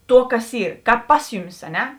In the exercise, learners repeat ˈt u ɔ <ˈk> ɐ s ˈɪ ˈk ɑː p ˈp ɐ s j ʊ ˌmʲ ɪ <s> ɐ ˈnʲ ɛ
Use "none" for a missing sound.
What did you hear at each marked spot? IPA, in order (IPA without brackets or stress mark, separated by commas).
k, s